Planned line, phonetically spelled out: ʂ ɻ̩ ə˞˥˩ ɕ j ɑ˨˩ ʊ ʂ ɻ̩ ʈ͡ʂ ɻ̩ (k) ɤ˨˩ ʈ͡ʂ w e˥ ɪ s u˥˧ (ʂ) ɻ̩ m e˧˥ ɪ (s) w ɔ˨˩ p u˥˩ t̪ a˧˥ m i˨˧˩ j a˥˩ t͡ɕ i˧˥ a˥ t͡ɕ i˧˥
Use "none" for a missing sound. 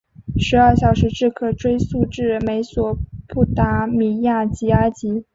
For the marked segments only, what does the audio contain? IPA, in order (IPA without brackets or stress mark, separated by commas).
kʰ, ʈ͡ʂ, s